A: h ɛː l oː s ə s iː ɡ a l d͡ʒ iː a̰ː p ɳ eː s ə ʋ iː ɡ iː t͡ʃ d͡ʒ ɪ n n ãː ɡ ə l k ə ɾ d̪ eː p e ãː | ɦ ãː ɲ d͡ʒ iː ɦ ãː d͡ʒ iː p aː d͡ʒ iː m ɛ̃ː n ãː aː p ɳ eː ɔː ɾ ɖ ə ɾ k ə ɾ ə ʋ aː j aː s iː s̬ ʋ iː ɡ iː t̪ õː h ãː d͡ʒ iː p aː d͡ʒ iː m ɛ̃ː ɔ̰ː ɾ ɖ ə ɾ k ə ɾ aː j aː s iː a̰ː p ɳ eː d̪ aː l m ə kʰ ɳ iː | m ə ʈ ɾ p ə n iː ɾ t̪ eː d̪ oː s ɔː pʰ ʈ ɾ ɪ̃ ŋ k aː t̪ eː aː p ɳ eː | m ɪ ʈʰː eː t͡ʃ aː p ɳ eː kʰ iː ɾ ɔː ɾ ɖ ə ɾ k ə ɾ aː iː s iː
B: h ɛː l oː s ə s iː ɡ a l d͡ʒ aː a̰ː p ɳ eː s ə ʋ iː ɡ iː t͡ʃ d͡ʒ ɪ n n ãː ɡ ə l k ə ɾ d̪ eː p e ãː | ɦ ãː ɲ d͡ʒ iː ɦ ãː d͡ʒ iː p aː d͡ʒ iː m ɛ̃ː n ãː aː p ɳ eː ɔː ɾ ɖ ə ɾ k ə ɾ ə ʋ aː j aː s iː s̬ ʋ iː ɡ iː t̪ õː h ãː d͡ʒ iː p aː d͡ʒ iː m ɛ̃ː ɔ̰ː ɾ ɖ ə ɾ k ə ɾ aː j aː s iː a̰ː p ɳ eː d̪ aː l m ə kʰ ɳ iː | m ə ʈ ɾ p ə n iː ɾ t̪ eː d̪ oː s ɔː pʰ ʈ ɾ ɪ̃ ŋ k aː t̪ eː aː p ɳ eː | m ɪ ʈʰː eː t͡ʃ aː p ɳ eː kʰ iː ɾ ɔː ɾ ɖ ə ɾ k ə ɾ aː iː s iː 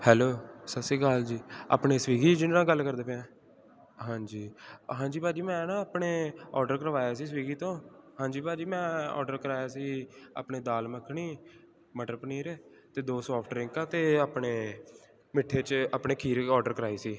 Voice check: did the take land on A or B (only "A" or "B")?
A